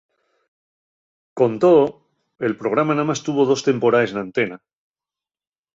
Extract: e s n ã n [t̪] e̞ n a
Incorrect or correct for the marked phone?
correct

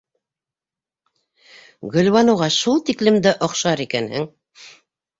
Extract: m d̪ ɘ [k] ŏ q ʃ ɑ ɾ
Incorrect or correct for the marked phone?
incorrect: ʔ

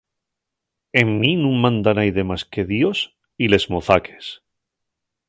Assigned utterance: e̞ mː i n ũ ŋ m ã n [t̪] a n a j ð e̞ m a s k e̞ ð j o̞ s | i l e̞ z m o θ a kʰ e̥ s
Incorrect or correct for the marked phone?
incorrect: d̪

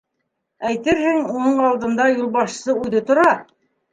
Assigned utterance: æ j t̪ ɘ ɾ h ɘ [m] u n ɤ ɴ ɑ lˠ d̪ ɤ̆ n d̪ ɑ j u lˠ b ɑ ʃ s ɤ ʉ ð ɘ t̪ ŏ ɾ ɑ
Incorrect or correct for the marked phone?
incorrect: ŋ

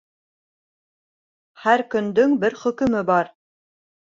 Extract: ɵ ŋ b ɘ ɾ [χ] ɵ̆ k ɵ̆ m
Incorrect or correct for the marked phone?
correct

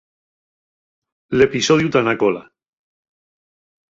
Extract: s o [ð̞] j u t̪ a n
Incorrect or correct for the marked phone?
correct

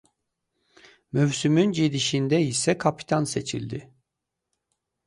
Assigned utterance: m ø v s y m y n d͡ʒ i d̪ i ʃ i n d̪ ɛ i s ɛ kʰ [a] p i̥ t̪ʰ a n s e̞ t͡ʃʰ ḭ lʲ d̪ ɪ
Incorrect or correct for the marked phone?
correct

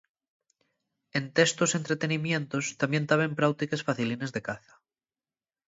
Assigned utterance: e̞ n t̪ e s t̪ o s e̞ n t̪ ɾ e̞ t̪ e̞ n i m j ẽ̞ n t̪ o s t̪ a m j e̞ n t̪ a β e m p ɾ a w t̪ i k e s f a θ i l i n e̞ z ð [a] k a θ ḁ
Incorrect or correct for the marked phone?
incorrect: e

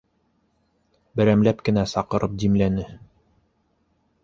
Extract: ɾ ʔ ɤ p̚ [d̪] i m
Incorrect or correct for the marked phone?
correct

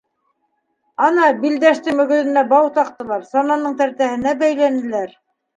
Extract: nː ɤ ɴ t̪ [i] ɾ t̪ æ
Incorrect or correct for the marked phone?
incorrect: æ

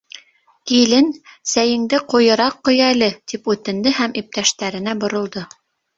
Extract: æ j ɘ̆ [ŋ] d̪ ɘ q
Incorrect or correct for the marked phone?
correct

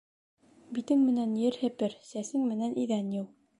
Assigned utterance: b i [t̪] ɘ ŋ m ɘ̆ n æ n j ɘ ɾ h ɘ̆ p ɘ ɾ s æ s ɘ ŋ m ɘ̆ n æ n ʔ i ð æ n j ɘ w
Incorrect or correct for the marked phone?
correct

